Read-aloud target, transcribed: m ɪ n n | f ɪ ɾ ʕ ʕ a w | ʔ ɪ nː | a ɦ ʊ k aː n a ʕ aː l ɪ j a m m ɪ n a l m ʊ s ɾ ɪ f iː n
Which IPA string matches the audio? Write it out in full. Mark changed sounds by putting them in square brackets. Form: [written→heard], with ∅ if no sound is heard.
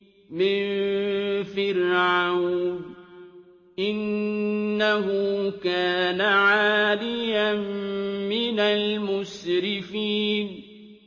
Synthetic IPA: m ɪ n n | f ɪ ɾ ʕ ʕ a w | ʔ ɪ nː | a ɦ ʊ k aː n a ʕ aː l ɪ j a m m ɪ n a l m ʊ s ɾ ɪ f iː n